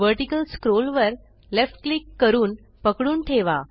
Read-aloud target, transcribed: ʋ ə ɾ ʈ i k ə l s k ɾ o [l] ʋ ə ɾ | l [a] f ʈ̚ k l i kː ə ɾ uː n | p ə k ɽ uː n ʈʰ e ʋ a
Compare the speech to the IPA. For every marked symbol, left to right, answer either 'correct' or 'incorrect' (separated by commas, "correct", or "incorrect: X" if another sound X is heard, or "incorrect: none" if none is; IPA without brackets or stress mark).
correct, incorrect: e